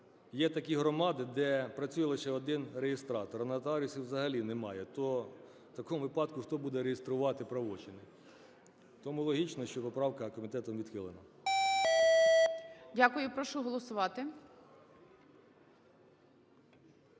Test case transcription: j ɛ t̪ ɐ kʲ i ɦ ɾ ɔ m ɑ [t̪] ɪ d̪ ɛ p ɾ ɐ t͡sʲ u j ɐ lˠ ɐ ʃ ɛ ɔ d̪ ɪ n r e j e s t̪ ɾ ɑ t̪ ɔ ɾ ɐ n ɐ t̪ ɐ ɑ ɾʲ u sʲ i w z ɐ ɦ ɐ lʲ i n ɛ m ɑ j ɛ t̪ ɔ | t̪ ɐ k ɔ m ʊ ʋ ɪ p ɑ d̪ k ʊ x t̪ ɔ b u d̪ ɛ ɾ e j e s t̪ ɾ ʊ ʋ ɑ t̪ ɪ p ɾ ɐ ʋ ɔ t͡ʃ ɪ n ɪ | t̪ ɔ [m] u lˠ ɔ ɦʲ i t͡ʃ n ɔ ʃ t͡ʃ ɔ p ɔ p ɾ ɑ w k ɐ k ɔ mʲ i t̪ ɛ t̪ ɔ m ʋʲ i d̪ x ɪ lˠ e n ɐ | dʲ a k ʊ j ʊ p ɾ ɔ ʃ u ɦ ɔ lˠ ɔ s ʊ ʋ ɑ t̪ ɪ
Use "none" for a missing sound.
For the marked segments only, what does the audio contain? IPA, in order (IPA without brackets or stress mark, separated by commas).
d̪, m